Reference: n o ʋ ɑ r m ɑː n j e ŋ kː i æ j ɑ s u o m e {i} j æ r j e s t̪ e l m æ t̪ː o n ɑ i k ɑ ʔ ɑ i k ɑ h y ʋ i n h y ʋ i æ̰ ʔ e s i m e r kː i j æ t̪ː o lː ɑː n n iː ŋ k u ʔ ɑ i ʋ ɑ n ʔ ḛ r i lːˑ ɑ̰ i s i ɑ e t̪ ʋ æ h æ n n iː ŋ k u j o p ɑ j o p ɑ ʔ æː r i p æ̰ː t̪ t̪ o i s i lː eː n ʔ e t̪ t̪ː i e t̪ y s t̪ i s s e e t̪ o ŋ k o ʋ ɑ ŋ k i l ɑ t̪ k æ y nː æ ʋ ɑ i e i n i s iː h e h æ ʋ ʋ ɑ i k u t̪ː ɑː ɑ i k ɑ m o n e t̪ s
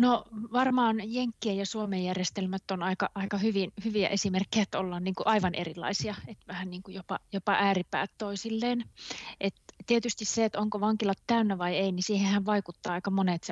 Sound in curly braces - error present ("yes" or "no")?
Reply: yes